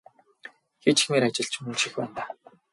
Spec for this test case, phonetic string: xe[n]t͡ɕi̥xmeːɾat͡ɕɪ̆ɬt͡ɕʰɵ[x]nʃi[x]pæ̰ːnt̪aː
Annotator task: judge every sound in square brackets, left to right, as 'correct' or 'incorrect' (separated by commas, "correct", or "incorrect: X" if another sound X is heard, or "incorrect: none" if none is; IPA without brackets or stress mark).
incorrect: none, incorrect: none, correct